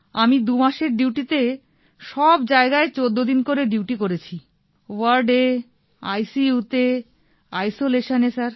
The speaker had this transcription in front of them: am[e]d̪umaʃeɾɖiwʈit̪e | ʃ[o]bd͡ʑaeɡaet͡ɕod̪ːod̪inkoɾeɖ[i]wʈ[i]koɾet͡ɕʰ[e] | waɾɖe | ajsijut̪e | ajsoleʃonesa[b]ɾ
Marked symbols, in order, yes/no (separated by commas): no, no, yes, yes, no, no